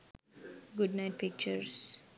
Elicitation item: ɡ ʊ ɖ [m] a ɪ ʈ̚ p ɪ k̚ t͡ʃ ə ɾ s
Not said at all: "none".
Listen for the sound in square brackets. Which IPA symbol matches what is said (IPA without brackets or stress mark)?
n